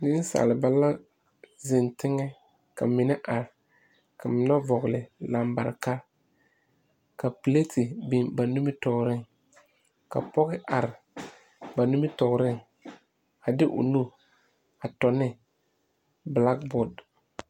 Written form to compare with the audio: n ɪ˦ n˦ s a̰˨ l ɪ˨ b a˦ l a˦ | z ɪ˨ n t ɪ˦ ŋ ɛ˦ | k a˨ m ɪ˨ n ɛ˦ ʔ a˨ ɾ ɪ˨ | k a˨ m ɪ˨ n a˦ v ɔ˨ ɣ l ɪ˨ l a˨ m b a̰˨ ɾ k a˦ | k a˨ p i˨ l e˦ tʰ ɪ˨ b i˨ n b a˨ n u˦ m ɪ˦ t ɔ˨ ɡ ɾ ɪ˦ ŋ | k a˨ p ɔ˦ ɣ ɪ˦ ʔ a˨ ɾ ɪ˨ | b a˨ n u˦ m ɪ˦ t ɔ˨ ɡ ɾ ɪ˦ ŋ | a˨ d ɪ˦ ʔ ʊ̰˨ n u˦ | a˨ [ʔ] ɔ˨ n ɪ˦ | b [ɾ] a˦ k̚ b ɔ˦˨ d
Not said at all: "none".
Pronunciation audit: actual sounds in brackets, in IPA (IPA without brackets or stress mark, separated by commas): t, l